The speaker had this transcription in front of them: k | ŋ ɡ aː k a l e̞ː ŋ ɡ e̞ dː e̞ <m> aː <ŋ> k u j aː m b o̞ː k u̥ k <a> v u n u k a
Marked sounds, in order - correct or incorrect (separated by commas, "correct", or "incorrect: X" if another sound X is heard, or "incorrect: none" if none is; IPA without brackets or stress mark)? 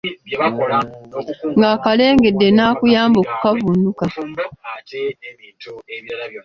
incorrect: n, incorrect: none, correct